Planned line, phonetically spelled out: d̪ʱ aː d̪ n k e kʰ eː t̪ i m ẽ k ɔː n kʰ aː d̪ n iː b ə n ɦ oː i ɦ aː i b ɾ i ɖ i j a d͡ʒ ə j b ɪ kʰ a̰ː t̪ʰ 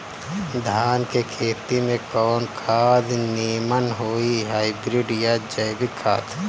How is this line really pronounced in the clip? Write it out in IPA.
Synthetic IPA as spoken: d̪ʱ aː n k e kʰ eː t̪ i m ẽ k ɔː n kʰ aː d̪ n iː m ə n ɦ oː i ɦ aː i b ɾ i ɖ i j a d͡ʒ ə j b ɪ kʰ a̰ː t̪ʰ